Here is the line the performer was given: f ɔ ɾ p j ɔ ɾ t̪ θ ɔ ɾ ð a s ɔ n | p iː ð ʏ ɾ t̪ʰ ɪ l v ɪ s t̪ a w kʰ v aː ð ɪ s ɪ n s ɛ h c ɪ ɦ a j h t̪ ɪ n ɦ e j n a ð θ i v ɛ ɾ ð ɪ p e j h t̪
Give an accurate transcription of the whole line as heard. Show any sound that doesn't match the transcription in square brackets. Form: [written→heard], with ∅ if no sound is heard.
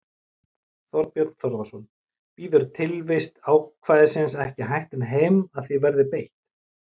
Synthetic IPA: [f→θ] ɔ ɾ p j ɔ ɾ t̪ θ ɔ ɾ ð a s ɔ n | p iː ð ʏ ɾ t̪ʰ ɪ l v ɪ s t̪ a w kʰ v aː ð ɪ s ɪ n s ɛ h c ɪ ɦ a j h t̪ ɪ n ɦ e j [n→m] a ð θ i v ɛ ɾ ð ɪ p e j h t̪

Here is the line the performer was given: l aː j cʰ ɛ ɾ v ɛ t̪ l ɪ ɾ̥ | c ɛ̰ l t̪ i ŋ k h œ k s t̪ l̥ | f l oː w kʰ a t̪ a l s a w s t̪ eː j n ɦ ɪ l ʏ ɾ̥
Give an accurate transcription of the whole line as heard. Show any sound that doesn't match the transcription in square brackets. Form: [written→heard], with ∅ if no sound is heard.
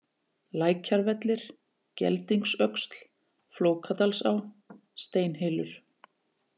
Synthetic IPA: l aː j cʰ [ɛ→a] ɾ v ɛ t̪ l ɪ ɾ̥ | c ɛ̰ l t̪ i ŋ k [h→s] œ k s t̪ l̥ | f l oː w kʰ a t̪ a l s a w s t̪ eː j n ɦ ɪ l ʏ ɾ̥

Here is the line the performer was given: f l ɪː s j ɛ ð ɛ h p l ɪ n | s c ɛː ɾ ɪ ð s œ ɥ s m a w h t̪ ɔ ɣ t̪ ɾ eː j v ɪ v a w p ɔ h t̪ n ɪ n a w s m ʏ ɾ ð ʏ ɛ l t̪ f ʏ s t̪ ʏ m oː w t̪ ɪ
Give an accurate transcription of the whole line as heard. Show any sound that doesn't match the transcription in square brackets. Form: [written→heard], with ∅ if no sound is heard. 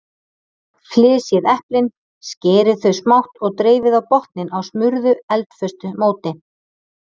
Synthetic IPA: f l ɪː s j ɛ ð ɛ h p l ɪ n | s c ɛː ɾ ɪ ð [s→θ] œ ɥ s m a w h t̪ ɔ ɣ t̪ ɾ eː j v ɪ [v→ð] a w p ɔ h t̪ n ɪ n a w s m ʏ ɾ ð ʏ ɛ l t̪ f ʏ s t̪ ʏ m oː w t̪ ɪ

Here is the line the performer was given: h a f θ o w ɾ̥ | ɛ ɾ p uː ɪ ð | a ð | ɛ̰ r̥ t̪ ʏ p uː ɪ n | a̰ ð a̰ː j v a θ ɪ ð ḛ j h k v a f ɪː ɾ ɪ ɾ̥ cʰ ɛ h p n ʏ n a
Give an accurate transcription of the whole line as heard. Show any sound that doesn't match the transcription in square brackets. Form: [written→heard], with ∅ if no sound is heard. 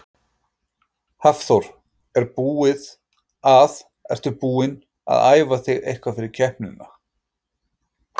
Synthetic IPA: h a f θ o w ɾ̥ | ɛ ɾ p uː ɪ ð | a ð | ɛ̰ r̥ t̪ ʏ p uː ɪ n | a̰ ð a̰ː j v a θ ɪ [ð→ɣ] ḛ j h k v a f [ɪː→ɪ] ɾ ɪ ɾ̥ cʰ ɛ h p n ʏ n a

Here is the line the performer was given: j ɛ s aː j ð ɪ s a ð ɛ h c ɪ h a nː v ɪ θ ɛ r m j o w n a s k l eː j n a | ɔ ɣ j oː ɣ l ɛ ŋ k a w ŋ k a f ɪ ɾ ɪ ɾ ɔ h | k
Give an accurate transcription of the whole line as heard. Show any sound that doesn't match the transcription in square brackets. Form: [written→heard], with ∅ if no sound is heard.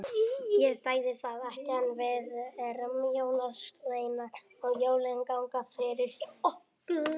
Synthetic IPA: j ɛ s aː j ð ɪ [s→θ] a ð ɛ h c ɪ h a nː v ɪ [θ→ð] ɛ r m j o w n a s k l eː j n a | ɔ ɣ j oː [ɣ→w] l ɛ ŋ k a w ŋ k a f ɪ ɾ ɪ ɾ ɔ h | k

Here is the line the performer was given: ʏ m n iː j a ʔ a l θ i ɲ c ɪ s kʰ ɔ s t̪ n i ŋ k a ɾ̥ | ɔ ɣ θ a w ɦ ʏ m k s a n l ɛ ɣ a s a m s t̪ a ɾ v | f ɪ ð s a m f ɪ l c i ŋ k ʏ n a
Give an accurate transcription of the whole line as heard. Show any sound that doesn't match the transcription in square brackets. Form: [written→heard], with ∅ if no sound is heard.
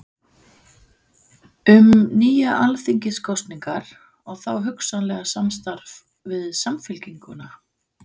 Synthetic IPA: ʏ m n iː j a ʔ a l θ i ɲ c ɪ s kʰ ɔ s t̪ n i ŋ k a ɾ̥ | ɔ ɣ θ a w ɦ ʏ [m→∅] k s a n l ɛ ɣ a s a m s t̪ a ɾ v | [f→v] ɪ ð s a m f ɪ l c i ŋ k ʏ n a

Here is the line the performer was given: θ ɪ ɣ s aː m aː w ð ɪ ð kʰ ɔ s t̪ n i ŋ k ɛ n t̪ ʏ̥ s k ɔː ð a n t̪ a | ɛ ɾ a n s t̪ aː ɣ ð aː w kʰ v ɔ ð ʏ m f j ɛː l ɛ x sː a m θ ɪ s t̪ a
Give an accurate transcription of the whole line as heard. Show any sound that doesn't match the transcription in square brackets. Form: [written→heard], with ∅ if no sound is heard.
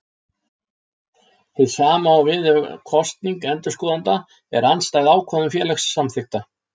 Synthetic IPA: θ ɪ [ɣ→ð] s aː m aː w [ð→v] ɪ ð kʰ ɔ s t̪ n i ŋ k ɛ n t̪ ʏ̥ s k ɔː ð a n t̪ a | ɛ ɾ a n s t̪ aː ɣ ð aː w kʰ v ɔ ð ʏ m f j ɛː l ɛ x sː a m θ ɪ [s→x] t̪ a

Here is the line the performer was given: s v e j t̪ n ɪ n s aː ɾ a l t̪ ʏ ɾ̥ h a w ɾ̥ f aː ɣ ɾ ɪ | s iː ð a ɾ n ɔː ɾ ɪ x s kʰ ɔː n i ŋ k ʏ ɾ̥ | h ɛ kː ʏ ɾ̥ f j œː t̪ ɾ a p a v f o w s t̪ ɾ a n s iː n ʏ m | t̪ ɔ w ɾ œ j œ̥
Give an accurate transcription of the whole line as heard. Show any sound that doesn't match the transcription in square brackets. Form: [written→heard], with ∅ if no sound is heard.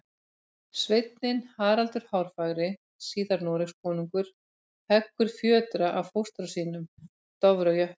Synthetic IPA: s v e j t̪ n ɪ n [s→h] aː ɾ a l t̪ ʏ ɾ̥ h a w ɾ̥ f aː ɣ ɾ ɪ | s iː ð a ɾ n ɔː ɾ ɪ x s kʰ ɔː n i ŋ k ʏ ɾ̥ | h ɛ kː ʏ ɾ̥ f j œː t̪ ɾ a [p→ʔ] a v f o w s t̪ ɾ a [n→∅] s iː n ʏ m | t̪ ɔ [w→v] ɾ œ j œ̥

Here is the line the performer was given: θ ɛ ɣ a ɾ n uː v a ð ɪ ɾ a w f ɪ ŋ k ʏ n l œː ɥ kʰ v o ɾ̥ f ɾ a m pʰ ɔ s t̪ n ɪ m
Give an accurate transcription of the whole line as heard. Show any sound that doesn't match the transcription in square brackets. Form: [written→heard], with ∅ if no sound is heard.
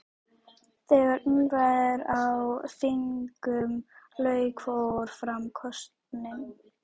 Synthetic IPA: θ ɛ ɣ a ɾ n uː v a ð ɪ ɾ a w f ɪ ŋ k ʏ [n→m] l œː ɥ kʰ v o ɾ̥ f ɾ a m [pʰ→kʰ] ɔ s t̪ n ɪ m

